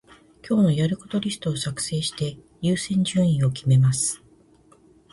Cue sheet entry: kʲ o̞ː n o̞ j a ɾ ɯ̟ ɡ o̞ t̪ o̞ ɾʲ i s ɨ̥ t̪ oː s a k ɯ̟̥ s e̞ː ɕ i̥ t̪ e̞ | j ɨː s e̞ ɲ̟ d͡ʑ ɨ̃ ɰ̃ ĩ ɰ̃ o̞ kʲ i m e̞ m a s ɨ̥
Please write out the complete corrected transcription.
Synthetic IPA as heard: kʲ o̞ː n o̞ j a ɾ ɯ̟ k o̞ t̪ o̞ ɾʲ i s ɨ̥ t̪ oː s a k ɯ̟̥ s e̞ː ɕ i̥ t̪ e̞ | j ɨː s ẽ̞ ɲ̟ d͡ʑ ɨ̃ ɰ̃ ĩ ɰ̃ o̞ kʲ i m e̞ m a s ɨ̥